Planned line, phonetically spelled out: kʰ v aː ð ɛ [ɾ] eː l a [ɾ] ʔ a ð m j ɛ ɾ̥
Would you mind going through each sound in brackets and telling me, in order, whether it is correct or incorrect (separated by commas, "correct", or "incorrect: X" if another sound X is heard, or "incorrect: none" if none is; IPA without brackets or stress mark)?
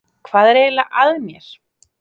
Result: correct, incorrect: none